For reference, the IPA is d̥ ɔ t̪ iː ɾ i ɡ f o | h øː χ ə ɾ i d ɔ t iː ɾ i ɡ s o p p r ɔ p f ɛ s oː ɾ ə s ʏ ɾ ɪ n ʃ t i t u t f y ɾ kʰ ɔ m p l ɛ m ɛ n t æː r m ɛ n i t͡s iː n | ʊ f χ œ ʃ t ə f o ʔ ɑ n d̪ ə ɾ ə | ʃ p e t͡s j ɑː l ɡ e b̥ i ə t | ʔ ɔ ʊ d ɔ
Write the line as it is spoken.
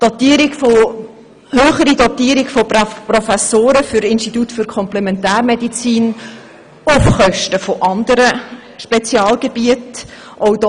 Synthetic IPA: d̥ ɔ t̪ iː ɾ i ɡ f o | h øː χ ə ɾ i d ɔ t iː ɾ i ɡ f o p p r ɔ f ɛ s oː ɾ ə f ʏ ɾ ɪ n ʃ t i t u t f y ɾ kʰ ɔ m p l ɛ m ɛ n t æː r m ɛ d i t͡s iː n | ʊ f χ œ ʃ t ə f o ʔ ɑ n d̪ ə ɾ ə | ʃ p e t͡s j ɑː l ɡ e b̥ i ə t | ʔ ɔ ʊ d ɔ